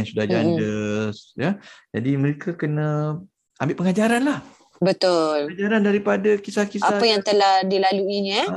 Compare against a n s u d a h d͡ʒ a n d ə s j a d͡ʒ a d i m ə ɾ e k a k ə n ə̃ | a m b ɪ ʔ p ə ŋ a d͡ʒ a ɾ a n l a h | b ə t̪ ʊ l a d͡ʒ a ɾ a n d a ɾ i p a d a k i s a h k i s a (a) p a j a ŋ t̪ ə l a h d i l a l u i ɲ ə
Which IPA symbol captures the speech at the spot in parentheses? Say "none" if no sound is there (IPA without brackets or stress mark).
a